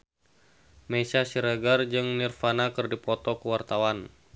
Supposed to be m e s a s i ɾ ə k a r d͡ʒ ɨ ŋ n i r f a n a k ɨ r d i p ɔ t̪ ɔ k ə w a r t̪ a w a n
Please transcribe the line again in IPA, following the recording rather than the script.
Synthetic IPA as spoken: m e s a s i ɾ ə ɡ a r d͡ʒ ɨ ŋ n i r f a n a k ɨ r d i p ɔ t̪ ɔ k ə w a r t̪ a w a n

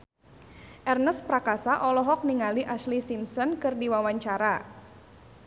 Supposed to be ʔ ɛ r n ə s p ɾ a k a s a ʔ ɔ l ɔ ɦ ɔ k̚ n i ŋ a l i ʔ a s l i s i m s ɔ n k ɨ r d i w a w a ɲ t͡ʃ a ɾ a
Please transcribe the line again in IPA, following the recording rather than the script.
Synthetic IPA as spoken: ʔ ɛ r n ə s p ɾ a k a s a ʔ ɔ l ɔ ɦ ɔ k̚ n i ŋ a l i ʔ a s l i s i m s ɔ n k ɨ r d i w a w a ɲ t͡ʃ a ɾ a

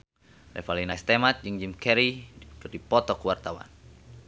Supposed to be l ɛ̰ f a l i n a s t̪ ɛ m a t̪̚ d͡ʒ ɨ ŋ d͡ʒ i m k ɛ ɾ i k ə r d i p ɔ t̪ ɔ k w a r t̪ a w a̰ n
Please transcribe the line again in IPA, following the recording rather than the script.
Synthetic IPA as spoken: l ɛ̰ f a l i n a s t̪ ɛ m a t̪̚ d͡ʒ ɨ ŋ d͡ʒ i m k ɛ ɾ i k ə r d i p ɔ t̪ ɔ k w a r t̪ a w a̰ n

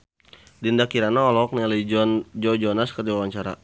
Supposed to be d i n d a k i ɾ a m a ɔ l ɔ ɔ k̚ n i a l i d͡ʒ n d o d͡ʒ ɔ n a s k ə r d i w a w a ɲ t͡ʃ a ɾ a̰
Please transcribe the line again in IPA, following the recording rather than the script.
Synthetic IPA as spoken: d i n d a k i ɾ a n a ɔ l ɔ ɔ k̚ n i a l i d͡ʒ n d͡ʒ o d͡ʒ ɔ n a s k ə r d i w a w a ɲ t͡ʃ a ɾ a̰

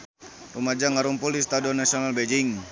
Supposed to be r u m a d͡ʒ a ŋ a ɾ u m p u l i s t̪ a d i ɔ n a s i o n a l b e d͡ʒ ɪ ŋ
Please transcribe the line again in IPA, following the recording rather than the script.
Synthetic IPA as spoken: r u m a d͡ʒ a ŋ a ɾ u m p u l i s t̪ a d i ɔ n a s i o n a l b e d͡ʒ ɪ ŋ

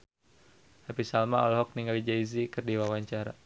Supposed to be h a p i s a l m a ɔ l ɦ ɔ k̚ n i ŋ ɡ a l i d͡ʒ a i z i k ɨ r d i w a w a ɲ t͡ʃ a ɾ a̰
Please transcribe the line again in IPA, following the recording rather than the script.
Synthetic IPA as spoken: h a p i s a l m a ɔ l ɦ ɔ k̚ n i ŋ ɡ a l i d͡ʒ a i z i k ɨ r d i w a w a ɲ t͡ʃ a ɾ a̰

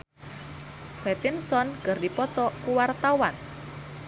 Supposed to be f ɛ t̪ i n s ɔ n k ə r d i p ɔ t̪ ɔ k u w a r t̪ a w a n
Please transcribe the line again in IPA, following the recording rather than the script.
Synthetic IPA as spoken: f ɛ t̪ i n s ɔ n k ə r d i p ɔ t̪ ɔ k u w a r t̪ a w a n

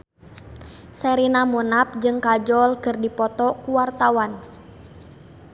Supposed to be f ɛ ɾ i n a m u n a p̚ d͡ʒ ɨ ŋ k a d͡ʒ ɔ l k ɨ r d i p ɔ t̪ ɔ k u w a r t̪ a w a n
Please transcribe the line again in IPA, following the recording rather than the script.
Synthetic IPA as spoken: s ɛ ɾ i n a m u n a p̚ d͡ʒ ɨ ŋ k a d͡ʒ ɔ l k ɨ r d i p ɔ t̪ ɔ k u w a r t̪ a w a n

